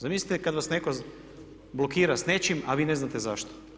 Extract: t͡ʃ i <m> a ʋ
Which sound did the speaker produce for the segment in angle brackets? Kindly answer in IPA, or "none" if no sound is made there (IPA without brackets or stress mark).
m